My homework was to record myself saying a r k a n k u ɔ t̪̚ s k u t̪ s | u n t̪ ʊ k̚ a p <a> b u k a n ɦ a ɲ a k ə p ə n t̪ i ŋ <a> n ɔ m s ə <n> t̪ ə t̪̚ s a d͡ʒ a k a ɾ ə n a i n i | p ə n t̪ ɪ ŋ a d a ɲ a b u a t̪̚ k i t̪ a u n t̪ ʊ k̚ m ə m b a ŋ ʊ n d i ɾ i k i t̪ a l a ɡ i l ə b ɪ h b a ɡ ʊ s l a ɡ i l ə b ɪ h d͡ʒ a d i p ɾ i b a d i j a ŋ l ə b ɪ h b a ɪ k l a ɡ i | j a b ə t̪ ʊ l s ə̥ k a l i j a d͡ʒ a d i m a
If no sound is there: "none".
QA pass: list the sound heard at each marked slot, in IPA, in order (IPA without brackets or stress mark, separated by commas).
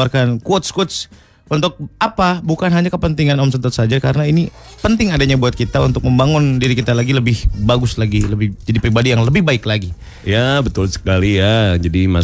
a, a, n